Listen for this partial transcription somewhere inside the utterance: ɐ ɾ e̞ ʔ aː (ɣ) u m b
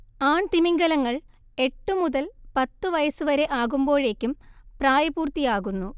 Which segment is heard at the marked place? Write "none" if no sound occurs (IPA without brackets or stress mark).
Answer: ɣ